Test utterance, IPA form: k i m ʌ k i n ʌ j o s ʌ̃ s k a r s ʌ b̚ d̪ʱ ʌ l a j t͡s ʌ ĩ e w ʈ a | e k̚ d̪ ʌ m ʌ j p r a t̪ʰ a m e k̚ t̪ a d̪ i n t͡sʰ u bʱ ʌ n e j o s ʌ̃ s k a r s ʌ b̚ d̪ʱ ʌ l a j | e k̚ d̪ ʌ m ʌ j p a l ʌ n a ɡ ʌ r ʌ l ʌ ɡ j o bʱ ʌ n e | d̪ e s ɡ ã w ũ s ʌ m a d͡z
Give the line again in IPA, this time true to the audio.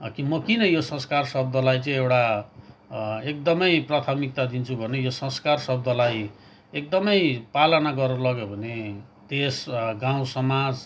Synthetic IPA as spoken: k i m ʌ k i n ʌ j o s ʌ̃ s k a r s ʌ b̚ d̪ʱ ʌ l a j t͡s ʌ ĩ e w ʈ a | e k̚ d̪ ʌ m ʌ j p r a t̪ʰ a m i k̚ t̪ a d̪ i n t͡sʰ u bʱ ʌ n e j o s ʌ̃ s k a r s ʌ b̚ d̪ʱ ʌ l a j | e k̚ d̪ ʌ m ʌ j p a l ʌ n a ɡ ʌ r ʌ l ʌ ɡ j o bʱ ʌ n e | d̪ e s ɡ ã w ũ s ʌ m a d͡z